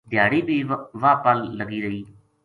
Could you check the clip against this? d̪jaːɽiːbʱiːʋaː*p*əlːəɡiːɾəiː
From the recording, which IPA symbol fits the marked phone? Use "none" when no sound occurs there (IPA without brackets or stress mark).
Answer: p